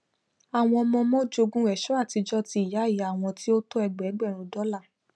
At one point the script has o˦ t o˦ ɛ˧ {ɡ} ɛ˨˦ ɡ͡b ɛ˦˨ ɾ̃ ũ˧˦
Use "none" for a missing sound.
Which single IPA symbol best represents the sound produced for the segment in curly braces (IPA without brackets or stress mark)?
ɡ͡b